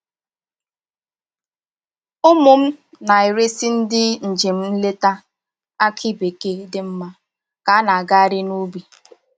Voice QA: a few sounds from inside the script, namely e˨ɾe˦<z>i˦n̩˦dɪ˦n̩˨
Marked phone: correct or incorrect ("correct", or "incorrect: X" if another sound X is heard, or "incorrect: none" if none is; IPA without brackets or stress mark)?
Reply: incorrect: s